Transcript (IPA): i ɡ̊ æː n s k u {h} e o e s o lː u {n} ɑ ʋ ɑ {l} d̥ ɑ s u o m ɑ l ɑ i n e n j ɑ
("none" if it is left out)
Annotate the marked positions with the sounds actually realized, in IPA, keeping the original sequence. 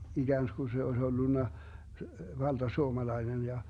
s, nː, l

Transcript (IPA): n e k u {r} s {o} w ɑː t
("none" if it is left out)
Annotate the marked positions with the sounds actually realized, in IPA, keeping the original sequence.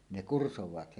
r, o

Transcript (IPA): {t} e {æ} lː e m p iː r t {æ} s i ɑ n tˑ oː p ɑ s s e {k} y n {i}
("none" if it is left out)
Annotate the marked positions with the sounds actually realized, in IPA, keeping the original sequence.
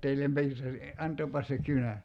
t, i, æ, k, æ

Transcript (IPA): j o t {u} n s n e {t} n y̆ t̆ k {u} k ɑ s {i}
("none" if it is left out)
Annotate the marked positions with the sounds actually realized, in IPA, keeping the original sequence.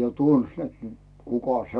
u, t, u, e

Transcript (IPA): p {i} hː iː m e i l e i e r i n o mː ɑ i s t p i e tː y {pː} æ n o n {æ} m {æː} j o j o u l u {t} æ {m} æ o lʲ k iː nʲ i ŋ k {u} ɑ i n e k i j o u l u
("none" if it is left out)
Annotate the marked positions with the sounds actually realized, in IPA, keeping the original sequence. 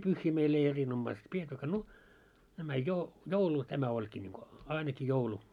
y, kː, æ, æ, t, m, o

